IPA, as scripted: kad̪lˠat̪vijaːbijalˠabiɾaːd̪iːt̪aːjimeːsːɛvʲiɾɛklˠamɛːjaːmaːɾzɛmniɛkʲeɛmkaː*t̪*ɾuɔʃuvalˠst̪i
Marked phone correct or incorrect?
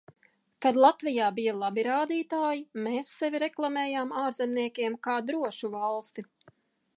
incorrect